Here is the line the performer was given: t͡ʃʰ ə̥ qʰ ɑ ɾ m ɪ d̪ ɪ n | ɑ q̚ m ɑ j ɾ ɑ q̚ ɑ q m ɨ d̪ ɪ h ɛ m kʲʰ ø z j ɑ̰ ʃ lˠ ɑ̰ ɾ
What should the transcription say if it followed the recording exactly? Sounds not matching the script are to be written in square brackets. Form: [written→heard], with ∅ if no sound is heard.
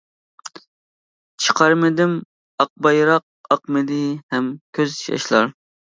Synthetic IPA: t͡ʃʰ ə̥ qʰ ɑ ɾ m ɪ d̪ ɪ [n→m] | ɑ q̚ [m→b] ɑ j ɾ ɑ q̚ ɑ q m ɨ d̪ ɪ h ɛ m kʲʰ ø z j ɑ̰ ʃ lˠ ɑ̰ ɾ